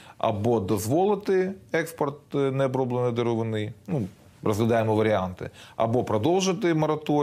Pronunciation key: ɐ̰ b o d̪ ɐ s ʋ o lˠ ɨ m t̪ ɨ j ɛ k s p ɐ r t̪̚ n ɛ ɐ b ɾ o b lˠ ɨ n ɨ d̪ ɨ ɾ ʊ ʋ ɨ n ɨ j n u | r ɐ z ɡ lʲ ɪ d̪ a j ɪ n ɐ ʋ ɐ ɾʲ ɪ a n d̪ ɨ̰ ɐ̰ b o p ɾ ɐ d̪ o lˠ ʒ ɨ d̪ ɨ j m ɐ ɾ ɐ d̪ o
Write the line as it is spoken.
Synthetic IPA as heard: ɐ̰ b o d̪ ɐ z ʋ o lˠ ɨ t̪ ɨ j ɛ k s p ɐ r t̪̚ n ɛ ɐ b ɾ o b lˠ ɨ n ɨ d̪ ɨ ɾ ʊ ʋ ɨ n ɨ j n u | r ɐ z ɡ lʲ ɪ d̪ a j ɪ m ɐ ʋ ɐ ɾʲ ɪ a n t̪ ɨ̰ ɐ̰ b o p ɾ ɐ d̪ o lˠ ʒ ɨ t̪ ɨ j m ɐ ɾ ɐ t̪ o